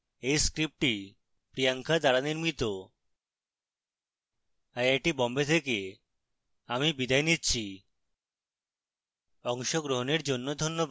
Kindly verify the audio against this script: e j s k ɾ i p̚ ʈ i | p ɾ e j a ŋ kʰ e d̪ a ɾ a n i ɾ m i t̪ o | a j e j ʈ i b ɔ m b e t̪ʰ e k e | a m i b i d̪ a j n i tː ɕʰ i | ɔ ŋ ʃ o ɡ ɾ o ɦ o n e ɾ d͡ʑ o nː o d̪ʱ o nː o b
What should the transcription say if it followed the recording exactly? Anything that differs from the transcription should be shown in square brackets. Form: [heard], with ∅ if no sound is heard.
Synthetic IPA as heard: e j s k ɾ i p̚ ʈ i | p ɾ [i] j a ŋ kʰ [a] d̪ a ɾ a n i ɾ m i t̪ o | a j [a] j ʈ i b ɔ m b e t̪ʰ e k e | a m i b i d̪ a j n i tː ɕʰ i | ɔ ŋ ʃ o ɡ ɾ o ɦ o n e ɾ d͡ʑ o nː o d̪ʱ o nː o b

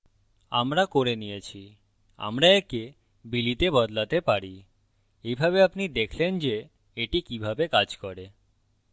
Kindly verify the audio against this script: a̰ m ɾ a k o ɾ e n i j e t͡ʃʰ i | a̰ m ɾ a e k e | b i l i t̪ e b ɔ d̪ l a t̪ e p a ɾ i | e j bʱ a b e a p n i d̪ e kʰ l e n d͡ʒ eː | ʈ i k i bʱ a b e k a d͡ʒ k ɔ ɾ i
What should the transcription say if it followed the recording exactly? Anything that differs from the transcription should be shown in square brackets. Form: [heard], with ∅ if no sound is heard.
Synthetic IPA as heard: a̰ m ɾ a k o ɾ e n i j e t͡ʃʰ i | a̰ m ɾ a e k e | b i l i t̪ e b ɔ d̪ l a t̪ e p a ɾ i | e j bʱ a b e a p n i d̪ e kʰ l e n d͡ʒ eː | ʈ i k i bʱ a b e k a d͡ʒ k ɔ ɾ [e]

